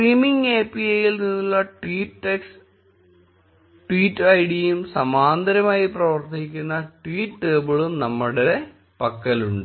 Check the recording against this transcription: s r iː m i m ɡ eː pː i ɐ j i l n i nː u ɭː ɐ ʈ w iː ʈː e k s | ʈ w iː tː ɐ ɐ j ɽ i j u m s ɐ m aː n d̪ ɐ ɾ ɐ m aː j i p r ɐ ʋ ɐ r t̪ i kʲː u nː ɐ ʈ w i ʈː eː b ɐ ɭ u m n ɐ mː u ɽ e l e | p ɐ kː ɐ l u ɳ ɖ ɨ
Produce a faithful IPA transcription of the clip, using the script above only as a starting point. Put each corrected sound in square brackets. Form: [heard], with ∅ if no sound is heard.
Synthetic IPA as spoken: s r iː m i [ŋ] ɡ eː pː i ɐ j i l n i nː u ɭː ɐ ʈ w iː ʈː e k s | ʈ w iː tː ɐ ɐ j ɽ i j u m s ɐ m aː n d̪ ɐ ɾ ɐ m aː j i p r ɐ ʋ ɐ r t̪ i kʲː u nː ɐ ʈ w [iː] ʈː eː b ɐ ɭ u m n ɐ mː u ɽ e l e | p ɐ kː ɐ l u ɳ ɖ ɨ